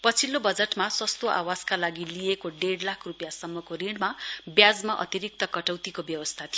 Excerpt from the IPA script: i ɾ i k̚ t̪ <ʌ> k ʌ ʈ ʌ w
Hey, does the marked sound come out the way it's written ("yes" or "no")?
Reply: yes